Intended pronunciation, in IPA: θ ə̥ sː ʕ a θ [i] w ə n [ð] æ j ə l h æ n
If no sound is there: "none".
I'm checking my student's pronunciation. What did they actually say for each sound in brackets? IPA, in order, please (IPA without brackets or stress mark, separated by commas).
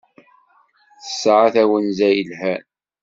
æ, z